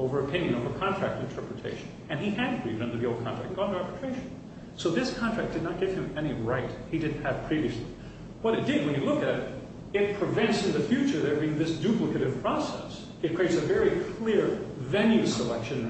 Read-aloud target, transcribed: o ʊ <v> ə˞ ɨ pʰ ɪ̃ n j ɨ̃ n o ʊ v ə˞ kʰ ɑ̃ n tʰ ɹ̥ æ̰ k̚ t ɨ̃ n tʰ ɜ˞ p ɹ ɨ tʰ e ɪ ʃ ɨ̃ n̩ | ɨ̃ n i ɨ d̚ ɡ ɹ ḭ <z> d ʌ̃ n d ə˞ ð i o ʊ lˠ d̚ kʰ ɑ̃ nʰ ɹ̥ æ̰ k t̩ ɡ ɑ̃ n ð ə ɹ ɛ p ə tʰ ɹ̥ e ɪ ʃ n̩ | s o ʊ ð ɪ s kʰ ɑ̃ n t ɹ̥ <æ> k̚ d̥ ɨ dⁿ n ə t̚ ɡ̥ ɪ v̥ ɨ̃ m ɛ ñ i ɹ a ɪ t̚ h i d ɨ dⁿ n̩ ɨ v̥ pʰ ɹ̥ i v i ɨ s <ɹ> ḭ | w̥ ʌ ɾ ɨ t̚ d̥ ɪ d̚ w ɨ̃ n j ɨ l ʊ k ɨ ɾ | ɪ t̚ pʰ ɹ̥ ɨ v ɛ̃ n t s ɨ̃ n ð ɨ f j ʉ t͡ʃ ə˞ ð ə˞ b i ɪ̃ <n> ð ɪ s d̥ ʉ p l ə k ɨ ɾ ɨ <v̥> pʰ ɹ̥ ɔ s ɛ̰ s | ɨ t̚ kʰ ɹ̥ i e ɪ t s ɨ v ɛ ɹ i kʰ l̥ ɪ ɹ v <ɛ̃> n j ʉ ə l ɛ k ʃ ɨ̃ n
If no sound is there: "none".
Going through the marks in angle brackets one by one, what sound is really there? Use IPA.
v, v, æ, l, ŋ, v̥, ɛ̃

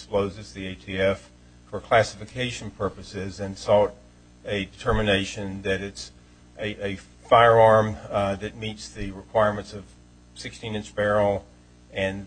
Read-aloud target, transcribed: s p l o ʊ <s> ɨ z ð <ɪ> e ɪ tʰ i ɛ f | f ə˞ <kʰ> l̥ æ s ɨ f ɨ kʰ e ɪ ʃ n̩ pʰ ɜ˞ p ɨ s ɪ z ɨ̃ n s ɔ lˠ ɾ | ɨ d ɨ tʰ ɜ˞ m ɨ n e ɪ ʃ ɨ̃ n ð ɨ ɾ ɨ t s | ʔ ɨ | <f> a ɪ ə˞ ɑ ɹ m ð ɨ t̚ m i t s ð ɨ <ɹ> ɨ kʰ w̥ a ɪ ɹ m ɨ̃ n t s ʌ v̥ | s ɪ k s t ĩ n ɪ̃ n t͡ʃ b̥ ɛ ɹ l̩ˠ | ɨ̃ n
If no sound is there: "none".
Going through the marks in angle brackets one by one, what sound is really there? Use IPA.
z, i, kʰ, f, ɹ

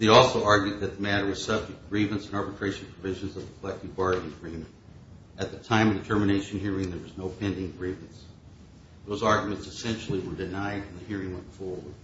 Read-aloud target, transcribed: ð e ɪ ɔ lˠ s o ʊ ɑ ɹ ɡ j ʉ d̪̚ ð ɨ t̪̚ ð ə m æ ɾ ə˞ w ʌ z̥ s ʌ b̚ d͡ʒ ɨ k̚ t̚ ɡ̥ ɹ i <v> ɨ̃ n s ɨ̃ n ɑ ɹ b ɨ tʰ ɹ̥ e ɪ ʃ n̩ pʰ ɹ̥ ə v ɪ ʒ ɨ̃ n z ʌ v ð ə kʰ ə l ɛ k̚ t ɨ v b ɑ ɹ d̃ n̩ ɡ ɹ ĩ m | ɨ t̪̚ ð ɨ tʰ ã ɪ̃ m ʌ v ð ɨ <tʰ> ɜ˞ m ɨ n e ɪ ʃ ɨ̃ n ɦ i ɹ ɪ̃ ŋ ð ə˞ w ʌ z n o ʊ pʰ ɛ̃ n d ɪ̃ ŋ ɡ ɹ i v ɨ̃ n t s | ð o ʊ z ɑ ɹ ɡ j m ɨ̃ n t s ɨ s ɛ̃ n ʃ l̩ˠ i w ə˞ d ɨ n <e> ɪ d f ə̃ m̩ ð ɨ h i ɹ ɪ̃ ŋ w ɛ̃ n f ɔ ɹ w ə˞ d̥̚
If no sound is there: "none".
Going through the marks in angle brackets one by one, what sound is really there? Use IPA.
v, tʰ, a

